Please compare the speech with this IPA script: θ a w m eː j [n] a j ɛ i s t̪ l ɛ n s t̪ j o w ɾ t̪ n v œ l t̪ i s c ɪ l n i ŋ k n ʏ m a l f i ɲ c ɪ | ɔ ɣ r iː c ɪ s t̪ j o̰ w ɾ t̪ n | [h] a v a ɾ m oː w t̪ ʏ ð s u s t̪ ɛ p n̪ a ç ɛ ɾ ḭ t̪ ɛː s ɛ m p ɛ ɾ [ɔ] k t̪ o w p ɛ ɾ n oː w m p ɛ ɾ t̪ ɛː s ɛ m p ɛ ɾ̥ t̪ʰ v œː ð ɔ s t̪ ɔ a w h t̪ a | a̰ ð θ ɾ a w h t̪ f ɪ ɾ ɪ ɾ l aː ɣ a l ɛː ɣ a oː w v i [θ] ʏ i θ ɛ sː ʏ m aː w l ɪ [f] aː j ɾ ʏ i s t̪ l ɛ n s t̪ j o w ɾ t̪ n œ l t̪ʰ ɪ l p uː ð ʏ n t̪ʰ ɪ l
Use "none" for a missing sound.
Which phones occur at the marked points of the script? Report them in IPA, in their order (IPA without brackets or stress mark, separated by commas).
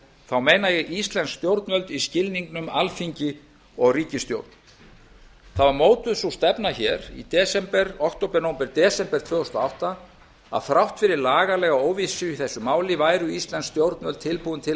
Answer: n, θ, ɔ, s, v